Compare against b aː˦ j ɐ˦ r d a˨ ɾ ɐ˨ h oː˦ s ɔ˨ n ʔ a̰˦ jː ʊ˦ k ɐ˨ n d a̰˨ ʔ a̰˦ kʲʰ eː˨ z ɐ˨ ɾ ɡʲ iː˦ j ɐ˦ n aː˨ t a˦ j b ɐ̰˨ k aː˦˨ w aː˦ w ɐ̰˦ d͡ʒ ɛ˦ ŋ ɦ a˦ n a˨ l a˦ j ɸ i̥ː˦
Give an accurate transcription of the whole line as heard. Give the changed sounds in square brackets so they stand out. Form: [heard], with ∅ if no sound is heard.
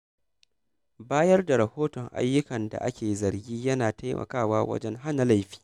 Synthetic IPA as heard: b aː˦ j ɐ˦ r d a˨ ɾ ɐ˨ h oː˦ [t] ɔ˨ [ŋ] ʔ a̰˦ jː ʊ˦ k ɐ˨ n d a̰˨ ʔ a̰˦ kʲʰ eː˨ z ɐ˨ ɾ ɡʲ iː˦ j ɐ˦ n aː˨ t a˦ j [m] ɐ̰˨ k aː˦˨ w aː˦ w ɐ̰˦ d͡ʒ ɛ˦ ŋ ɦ a˦ n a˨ l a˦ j ɸ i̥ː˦